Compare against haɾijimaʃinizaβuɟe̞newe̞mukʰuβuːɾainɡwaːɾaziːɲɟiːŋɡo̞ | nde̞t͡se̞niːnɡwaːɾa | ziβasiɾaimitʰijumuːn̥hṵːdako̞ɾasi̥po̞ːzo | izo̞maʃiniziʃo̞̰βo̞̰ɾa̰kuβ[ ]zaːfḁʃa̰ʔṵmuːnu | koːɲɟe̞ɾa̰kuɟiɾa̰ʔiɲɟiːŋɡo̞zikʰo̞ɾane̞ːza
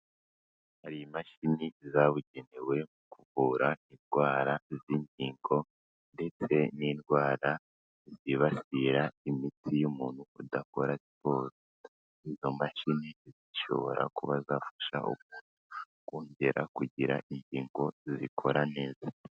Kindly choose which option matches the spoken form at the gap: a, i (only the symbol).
a